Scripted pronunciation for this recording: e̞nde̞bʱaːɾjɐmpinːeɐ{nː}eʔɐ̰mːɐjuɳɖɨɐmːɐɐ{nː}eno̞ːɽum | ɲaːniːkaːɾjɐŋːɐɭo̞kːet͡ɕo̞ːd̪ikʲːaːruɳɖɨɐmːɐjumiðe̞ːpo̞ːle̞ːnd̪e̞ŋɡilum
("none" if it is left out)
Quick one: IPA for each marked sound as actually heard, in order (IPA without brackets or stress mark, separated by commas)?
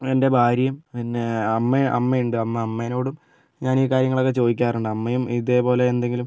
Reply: mː, mː